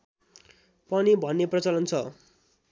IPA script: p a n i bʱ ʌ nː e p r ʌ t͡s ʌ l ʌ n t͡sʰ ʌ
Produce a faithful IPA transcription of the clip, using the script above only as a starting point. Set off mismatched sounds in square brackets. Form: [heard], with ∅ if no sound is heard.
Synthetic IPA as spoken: p [ʌ] n i bʱ ʌ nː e p r ʌ t͡s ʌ l ʌ n t͡sʰ ʌ